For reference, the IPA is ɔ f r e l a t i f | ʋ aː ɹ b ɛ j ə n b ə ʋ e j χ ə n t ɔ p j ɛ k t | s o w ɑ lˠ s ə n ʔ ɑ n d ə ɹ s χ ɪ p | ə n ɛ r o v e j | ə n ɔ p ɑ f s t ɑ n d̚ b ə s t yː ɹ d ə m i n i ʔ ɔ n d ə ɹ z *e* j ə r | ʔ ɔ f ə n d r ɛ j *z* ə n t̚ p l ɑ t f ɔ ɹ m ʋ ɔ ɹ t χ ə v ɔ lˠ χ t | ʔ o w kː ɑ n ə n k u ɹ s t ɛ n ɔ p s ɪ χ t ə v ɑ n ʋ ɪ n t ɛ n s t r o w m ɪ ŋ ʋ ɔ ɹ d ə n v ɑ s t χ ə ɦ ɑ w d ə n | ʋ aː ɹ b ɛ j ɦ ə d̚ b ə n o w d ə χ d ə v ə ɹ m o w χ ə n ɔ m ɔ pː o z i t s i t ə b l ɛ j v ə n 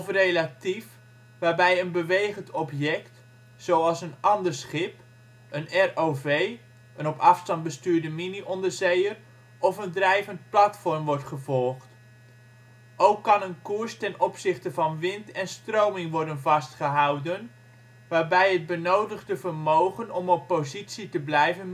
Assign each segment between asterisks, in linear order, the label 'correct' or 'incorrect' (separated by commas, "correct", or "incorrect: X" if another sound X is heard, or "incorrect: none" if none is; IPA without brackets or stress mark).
correct, incorrect: v